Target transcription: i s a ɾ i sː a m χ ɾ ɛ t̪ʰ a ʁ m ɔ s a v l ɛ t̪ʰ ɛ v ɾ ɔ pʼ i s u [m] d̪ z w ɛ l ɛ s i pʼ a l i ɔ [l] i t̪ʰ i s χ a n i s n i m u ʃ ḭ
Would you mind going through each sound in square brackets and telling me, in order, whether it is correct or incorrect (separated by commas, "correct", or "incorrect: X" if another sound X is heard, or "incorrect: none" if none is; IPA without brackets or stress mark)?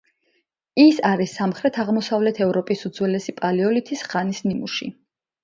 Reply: incorrect: none, correct